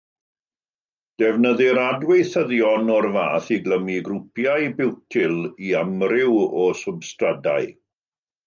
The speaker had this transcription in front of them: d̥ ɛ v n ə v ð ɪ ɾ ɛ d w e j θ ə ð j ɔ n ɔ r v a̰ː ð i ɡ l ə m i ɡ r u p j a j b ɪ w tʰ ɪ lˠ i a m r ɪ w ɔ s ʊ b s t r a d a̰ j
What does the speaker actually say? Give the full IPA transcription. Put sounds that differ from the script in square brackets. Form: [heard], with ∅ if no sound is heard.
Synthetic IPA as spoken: d̥ ɛ v n ə [∅] ð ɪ ɾ [a] d w e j θ ə ð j ɔ n ɔ r v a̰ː [θ] i ɡ l ə m i ɡ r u p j a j b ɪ w tʰ ɪ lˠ i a m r ɪ w ɔ s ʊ b s t r a d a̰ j